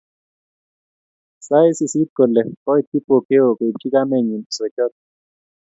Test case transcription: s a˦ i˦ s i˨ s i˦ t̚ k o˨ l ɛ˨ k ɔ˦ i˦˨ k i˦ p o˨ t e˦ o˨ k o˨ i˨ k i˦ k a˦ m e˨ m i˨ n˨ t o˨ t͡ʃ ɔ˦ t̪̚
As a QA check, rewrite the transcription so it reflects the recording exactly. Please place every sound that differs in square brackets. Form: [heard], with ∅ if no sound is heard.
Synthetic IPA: s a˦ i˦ s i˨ s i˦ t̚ k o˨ l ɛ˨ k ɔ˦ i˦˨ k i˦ p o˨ [k] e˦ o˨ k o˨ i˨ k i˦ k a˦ m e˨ [ɲ] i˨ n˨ [s] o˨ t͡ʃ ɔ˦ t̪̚